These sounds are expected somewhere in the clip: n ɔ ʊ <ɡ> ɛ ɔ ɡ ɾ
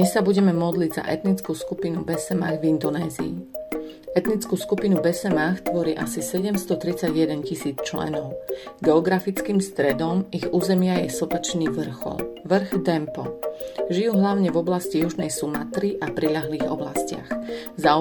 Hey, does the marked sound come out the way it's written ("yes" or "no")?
yes